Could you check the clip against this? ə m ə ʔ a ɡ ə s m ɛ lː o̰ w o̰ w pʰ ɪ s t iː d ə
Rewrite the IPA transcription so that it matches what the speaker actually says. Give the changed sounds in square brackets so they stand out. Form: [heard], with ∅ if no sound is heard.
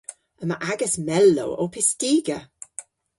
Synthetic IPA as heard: ə m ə ʔ a ɡ ə s m ɛ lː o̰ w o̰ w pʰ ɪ s t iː [ɡ] ə